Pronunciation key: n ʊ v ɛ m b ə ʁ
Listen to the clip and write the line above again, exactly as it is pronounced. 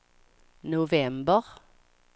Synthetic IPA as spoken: n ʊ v ɛ m b ə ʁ